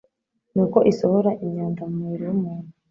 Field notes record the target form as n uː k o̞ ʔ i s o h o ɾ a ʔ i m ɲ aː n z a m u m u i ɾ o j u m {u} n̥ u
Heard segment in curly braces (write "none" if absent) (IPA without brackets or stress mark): uː